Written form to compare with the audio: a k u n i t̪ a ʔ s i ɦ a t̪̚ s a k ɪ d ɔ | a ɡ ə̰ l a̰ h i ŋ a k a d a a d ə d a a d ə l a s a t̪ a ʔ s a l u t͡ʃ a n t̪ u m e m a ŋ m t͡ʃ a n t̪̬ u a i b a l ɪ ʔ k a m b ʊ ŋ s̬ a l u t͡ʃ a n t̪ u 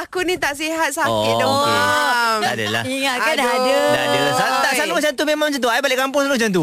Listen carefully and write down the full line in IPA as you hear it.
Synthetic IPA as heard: a k u n i t̪ a ʔ s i ɦ a t̪̚ s a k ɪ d ɔ | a d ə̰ l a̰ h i ŋ a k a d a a d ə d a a d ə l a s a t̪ a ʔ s a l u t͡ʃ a n t̪ u m e m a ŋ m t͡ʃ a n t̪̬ u a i b a l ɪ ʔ k a m p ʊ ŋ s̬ a l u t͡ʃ a n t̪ u